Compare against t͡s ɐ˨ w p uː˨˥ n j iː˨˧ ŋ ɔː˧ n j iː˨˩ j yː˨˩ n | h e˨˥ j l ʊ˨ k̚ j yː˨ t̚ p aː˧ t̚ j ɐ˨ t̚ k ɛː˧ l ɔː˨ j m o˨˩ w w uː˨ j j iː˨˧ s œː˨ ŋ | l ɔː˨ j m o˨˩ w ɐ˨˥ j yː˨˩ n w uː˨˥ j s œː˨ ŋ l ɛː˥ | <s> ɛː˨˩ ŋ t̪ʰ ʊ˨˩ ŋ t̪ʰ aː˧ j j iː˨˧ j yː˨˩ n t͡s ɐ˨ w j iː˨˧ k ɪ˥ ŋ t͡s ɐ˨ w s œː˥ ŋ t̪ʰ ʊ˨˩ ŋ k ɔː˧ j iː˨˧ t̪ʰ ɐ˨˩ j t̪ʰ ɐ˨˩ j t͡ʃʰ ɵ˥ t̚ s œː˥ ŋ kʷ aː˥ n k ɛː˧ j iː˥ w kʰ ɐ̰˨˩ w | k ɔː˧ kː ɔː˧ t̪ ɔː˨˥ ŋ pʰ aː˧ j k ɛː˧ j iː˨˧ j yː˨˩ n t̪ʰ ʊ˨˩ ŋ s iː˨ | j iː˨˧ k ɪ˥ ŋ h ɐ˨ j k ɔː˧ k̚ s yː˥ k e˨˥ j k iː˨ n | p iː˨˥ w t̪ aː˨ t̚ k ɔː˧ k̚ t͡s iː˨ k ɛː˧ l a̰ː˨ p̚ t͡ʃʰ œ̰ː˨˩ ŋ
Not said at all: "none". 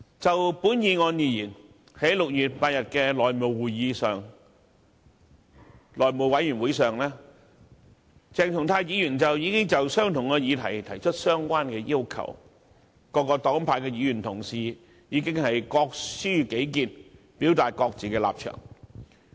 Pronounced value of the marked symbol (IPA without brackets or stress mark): t͡s